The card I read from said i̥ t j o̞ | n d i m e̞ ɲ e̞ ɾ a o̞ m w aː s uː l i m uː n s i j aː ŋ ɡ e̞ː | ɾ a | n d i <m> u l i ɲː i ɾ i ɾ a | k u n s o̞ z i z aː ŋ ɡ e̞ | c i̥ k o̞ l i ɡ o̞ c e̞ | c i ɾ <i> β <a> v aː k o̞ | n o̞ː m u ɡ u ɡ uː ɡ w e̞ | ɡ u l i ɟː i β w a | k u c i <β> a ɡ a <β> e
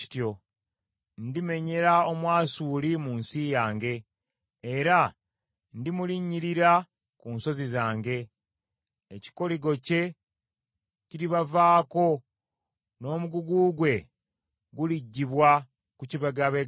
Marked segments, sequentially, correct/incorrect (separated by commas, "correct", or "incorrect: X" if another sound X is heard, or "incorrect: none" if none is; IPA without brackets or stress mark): correct, correct, correct, correct, correct